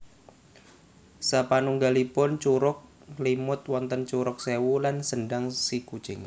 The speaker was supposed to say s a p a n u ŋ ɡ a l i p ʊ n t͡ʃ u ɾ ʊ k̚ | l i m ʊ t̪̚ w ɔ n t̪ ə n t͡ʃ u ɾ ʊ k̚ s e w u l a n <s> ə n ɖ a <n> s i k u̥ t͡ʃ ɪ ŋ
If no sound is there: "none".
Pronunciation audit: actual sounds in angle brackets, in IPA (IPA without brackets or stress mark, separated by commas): s, ŋ